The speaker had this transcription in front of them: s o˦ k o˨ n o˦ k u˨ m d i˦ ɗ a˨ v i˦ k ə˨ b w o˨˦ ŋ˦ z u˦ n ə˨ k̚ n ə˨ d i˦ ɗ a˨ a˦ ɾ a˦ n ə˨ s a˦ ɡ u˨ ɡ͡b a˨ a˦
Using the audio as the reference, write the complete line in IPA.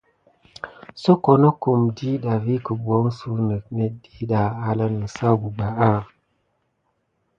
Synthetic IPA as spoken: s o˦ k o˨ n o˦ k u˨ m d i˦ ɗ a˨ v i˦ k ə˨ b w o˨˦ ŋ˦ s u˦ n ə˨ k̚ n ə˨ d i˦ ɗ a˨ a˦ l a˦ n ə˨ s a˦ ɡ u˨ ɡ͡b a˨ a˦